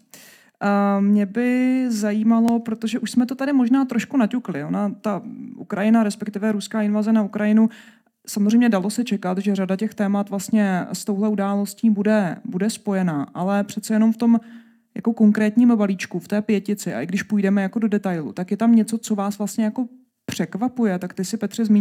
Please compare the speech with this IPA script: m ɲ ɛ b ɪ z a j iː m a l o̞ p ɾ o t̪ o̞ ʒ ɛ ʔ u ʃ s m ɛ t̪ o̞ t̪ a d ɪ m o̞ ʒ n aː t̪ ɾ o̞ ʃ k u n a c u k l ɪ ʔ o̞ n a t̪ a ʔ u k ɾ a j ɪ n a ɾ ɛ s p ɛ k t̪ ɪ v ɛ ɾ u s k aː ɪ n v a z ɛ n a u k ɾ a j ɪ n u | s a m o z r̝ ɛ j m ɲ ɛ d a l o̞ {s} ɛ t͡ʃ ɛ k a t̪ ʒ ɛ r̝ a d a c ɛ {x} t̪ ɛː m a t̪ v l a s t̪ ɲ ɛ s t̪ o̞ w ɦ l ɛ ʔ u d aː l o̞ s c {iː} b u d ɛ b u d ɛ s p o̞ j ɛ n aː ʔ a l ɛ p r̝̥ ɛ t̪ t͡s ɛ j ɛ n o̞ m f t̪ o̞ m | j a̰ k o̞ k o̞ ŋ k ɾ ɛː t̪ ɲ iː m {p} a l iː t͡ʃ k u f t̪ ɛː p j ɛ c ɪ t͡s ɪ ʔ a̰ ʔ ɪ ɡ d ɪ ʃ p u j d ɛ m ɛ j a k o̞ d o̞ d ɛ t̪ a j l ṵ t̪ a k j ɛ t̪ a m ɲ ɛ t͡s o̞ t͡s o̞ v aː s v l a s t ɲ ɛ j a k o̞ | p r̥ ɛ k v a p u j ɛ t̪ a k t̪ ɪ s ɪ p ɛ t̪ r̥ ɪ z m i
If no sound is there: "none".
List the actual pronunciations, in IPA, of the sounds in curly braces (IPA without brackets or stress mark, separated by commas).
s, x, iː, b